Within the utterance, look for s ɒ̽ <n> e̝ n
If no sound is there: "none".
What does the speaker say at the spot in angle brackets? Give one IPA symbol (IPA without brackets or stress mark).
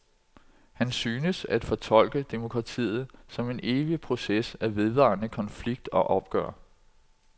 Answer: m